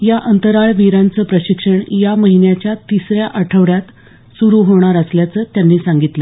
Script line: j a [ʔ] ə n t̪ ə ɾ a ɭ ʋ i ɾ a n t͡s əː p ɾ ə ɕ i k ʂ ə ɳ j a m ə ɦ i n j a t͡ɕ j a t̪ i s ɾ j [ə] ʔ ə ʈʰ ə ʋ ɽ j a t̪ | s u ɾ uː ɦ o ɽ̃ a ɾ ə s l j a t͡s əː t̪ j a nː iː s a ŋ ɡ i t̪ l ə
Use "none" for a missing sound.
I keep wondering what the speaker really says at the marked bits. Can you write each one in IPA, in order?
ʔ, a

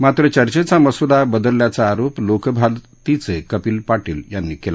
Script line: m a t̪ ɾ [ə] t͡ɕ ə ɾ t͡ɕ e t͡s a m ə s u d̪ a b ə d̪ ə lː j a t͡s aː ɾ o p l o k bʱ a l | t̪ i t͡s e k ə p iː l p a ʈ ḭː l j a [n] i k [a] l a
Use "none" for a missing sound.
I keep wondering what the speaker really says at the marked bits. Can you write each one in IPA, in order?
ə, nː, e

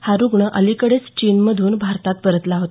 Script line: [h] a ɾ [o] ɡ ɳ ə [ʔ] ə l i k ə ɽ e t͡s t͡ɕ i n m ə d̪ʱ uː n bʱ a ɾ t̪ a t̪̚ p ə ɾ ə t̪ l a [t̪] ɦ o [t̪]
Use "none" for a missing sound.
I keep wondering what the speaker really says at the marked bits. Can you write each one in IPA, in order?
h, u, ʔ, none, t̪

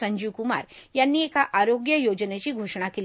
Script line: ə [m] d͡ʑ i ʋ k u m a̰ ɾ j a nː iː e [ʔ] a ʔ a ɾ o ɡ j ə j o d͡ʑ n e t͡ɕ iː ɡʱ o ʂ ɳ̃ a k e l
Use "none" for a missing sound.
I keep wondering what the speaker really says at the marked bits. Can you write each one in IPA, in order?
ɲ, k

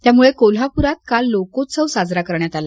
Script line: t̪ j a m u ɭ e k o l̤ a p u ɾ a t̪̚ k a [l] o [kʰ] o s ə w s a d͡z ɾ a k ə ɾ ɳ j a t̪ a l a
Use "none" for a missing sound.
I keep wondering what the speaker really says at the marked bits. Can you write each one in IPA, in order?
lː, k

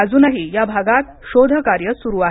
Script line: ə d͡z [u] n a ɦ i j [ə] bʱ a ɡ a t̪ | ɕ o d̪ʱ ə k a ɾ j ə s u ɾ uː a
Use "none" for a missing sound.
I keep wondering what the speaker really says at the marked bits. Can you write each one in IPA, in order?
uː, a

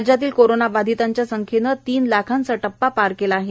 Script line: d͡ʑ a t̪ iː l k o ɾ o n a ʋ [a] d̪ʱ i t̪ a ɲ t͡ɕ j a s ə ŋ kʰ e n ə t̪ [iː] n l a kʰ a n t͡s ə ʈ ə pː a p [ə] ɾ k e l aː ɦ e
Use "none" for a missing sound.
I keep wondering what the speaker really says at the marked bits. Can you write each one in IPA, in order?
a, iː, a

